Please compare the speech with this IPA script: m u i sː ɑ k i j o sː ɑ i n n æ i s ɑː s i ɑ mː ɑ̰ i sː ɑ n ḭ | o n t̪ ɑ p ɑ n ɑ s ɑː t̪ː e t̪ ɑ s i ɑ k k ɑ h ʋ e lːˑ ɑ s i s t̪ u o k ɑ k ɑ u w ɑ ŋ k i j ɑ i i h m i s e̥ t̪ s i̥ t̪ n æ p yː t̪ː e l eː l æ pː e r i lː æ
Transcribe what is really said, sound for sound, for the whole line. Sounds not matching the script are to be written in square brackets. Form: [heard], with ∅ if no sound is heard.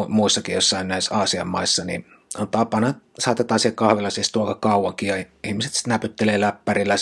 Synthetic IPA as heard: m u i sː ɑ k i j o sː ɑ i n n æ i s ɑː s i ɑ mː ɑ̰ i sː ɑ n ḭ | o n t̪ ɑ p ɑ n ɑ s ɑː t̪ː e t̪ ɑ s i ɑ k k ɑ h ʋ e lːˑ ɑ s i s t̪ u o k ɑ k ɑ u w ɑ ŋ k i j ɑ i i h m i s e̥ t̪ s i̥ t̪ n æ p [y] t̪ː e l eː l æ pː [æ] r i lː æ